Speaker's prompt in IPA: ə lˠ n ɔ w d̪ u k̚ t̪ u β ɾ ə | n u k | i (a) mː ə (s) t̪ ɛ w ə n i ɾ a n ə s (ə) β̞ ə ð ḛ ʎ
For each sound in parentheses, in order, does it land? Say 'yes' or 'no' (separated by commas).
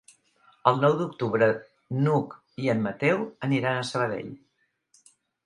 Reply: no, no, yes